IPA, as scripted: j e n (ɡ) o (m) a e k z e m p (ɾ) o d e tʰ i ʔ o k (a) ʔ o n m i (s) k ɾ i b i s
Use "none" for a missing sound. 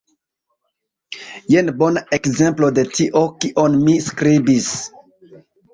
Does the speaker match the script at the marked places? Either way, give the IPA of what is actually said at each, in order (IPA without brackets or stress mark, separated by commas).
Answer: b, n, l, i, s